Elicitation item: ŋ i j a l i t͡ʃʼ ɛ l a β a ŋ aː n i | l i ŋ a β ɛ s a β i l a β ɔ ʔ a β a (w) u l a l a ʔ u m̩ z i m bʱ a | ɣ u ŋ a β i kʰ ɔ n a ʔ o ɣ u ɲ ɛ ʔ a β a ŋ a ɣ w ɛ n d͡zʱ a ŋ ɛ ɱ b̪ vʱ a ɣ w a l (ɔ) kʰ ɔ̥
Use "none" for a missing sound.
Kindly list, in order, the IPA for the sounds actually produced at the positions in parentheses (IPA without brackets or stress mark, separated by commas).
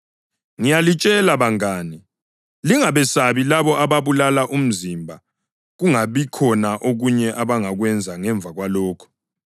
β, ɔː